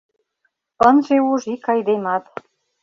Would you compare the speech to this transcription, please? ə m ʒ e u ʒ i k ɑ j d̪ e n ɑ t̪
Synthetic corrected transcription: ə n ʒ e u ʒ i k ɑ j d̪ e m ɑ t̪